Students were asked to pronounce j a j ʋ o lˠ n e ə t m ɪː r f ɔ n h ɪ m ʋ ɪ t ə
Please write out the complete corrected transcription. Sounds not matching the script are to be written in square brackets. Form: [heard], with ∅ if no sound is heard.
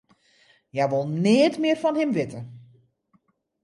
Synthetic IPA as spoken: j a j ʋ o lˠ n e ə t m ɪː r f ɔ n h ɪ m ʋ ɪ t ə